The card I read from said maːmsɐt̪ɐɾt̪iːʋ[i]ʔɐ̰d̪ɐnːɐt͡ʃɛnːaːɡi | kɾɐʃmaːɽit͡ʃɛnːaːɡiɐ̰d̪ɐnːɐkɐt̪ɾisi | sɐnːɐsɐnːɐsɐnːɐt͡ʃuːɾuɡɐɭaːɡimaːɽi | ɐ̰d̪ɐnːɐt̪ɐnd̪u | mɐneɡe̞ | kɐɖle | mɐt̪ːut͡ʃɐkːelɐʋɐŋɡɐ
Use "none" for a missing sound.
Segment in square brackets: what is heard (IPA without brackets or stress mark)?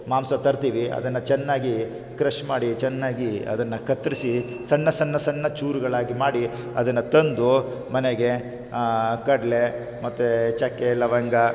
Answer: i